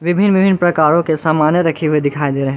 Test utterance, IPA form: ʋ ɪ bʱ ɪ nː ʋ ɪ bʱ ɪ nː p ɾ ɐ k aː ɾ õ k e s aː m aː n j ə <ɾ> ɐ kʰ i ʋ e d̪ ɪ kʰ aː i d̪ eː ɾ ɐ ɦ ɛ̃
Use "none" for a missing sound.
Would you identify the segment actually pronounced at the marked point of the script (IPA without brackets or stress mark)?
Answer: ɾ